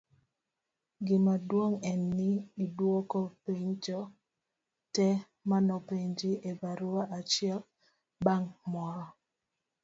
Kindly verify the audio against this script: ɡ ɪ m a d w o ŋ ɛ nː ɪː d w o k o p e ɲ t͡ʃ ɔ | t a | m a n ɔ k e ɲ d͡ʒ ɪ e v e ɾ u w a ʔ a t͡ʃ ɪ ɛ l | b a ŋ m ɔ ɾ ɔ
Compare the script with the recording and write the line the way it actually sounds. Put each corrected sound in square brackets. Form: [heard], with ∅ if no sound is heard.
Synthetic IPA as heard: ɡ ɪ m a d w o ŋ ɛ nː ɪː d w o k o p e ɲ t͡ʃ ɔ | t [ɛ] | m a n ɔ [p] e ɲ d͡ʒ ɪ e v [a] ɾ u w a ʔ a t͡ʃ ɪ ɛ l | b a ŋ m ɔ ɾ ɔ